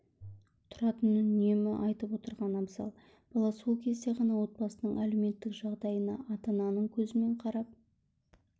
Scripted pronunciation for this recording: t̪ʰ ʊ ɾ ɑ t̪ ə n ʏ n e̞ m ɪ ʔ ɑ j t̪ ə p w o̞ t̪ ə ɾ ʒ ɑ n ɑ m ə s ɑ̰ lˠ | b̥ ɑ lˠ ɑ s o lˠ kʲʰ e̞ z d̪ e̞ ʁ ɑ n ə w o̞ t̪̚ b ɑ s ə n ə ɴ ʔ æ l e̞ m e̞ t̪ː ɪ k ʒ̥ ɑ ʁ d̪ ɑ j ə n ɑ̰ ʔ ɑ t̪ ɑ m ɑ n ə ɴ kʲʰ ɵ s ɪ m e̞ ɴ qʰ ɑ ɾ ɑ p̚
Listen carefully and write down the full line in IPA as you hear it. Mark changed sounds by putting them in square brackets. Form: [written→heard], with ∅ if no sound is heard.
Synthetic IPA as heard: t̪ʰ ʊ ɾ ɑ t̪ ə n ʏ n e̞ m ɪ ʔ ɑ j t̪ ə p w o̞ t̪ ə ɾ [ʒ→ʁ] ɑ n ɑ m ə s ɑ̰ lˠ | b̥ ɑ lˠ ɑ s o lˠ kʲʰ e̞ z d̪ e̞ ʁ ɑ n [ə→ɑ] w o̞ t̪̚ b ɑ s ə n ə ɴ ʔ æ l e̞ m e̞ t̪ː ɪ k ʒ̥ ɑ ʁ d̪ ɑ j ə n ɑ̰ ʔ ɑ t̪ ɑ [m→n] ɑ n ə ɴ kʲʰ ɵ [s→z] ɪ m e̞ ɴ qʰ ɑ ɾ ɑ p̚

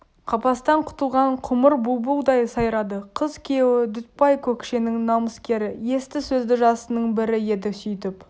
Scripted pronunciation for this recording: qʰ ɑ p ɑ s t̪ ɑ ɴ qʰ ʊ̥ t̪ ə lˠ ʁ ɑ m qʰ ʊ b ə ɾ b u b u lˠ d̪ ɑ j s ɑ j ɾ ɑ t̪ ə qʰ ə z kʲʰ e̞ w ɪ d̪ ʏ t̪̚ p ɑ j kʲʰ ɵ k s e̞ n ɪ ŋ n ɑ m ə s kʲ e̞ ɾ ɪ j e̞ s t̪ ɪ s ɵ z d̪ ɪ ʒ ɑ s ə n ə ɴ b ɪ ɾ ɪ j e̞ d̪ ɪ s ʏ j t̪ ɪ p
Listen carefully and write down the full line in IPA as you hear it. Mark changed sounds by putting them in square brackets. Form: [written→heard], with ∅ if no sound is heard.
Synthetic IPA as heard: qʰ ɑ p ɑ s t̪ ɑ ɴ qʰ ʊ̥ t̪ ə lˠ ʁ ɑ [m→ɴ] qʰ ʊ [b→m] ə ɾ b u b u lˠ d̪ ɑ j s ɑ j ɾ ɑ [t̪→d̪] ə qʰ ə z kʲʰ e̞ w ɪ d̪ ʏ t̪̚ p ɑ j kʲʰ ɵ k [s→ʃ] e̞ n ɪ ŋ n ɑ m ə s kʲ e̞ ɾ ɪ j e̞ s t̪ ɪ s ɵ z d̪ ɪ ʒ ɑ s ə n ə ɴ b ɪ ɾ ɪ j e̞ d̪ ɪ s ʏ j t̪ ɪ p

